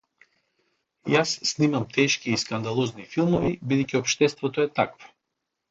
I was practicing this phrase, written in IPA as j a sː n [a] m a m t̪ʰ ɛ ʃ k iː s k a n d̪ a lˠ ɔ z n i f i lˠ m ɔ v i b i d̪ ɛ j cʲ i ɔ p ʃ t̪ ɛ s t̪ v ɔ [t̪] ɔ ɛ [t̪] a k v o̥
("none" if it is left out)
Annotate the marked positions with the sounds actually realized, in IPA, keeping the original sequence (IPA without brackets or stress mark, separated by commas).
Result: i, t̪, t̪